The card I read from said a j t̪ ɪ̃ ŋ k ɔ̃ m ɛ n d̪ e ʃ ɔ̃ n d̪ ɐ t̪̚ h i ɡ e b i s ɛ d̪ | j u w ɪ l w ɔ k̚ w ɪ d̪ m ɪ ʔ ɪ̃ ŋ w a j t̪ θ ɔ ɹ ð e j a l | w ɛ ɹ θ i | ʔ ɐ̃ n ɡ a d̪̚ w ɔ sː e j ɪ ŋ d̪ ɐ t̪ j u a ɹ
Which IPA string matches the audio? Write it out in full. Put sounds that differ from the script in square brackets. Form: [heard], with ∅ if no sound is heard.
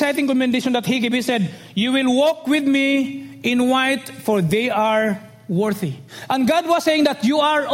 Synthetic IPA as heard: a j t̪ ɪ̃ ŋ k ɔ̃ m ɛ n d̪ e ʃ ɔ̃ n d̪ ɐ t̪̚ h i ɡ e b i s ɛ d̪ | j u w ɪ l w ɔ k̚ w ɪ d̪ m [i] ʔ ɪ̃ [n] w a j t̪ [f] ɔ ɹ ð e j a [ɹ] | w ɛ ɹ θ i | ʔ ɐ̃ n ɡ a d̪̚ w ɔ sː e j ɪ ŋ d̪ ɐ t̪ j u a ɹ